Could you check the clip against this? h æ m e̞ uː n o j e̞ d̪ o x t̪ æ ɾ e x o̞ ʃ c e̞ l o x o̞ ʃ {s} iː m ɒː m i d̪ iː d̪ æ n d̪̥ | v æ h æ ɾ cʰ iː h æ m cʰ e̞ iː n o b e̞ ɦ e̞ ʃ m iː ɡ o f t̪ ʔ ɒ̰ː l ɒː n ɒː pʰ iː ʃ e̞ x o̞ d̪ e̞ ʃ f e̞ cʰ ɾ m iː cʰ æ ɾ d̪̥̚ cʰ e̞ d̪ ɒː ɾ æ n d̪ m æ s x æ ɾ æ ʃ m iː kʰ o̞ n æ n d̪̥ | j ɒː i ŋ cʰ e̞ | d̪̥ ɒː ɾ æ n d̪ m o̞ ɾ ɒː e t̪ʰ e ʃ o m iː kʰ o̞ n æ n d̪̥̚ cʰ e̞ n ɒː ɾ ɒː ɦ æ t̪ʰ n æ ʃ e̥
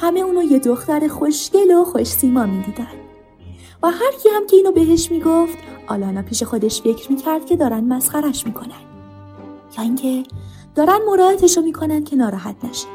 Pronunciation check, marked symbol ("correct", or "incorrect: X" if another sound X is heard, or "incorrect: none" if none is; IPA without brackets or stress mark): correct